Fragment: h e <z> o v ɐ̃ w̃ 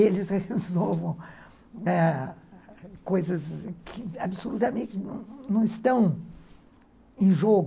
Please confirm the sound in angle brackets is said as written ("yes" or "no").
yes